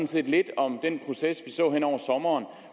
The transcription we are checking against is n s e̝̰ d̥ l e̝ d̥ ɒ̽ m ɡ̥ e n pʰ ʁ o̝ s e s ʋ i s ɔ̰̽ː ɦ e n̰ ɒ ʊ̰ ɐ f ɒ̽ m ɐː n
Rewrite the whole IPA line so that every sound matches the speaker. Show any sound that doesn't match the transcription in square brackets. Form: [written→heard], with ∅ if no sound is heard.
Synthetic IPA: n s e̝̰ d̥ l e̝ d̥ ɒ̽ m [ɡ̥→d̥] e n pʰ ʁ o̝ s e s ʋ i s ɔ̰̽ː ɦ e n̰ ɒ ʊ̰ ɐ [f→s] ɒ̽ m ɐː n